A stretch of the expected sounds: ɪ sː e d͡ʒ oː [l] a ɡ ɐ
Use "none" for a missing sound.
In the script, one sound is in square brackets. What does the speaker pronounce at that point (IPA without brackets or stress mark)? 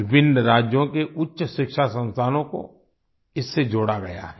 ɽ